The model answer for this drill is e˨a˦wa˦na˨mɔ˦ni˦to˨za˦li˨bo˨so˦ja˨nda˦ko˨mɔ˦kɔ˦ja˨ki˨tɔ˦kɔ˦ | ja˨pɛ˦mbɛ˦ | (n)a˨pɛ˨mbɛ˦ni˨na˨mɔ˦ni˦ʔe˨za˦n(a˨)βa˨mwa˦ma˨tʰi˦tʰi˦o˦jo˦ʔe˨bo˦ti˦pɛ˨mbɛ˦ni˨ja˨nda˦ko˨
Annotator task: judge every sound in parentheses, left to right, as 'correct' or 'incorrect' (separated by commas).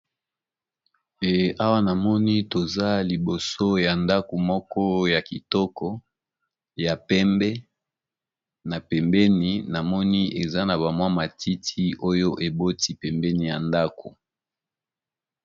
correct, correct